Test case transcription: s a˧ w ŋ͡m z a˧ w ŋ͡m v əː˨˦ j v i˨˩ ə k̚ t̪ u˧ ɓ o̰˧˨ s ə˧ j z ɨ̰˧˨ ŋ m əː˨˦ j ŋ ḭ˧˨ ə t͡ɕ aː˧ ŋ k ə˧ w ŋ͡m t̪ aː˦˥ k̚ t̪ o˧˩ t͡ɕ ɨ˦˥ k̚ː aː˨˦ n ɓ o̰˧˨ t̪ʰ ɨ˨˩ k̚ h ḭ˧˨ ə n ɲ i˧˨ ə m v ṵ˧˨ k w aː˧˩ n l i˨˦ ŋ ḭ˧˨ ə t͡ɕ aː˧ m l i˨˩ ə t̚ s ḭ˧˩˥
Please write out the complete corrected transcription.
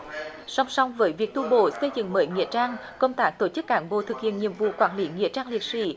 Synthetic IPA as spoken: s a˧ w ŋ͡m s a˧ w ŋ͡m v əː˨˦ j v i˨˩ ə k̚ t̪ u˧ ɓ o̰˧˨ s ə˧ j z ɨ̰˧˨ ŋ m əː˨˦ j ŋ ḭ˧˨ ə t͡ɕ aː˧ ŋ k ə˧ w ŋ͡m t̪ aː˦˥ k̚ t̪ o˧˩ t͡ɕ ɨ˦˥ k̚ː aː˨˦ n ɓ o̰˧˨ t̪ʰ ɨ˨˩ k̚ h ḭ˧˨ ə n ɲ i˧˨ ə m v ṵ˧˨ k w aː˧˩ n l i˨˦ ŋ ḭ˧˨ ə t͡ɕ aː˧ ŋ l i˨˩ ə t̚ s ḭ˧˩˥